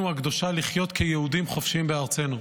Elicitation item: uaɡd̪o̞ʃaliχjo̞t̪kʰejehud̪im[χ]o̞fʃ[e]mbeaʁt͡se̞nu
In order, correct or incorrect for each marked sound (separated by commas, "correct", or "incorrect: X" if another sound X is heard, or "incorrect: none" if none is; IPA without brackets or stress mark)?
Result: correct, incorrect: i